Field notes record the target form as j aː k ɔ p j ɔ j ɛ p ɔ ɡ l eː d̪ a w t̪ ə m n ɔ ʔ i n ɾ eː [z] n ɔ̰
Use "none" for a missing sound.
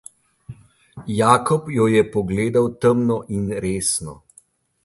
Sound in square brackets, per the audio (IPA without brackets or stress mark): s